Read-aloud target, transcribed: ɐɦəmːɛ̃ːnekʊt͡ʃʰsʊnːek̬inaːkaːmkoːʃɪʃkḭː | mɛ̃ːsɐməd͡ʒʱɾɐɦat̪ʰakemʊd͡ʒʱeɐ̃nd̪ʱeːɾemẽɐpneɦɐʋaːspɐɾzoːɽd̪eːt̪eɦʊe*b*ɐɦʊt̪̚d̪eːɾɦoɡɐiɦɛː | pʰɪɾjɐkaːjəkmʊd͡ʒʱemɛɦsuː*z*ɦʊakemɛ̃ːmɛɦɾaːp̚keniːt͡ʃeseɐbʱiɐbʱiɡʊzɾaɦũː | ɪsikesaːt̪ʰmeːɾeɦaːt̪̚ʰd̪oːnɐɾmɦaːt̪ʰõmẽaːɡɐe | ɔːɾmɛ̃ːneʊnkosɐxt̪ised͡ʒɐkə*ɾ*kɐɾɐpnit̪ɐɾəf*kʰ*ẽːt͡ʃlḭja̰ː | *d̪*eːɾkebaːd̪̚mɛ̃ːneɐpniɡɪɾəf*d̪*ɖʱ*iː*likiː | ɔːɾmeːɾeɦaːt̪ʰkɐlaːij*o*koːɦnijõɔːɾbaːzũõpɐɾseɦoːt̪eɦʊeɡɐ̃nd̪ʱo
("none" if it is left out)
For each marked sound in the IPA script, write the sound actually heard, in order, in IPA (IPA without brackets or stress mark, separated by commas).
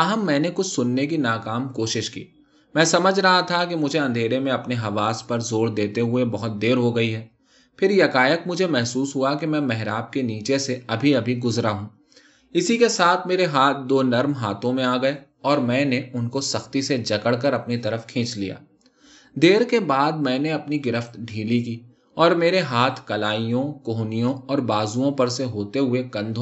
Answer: b, s, ɽ, kʰ, d̪, t̪, iː, õ